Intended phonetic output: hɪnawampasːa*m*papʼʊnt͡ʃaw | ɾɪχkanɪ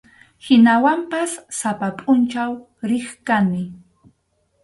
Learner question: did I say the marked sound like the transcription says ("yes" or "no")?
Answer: no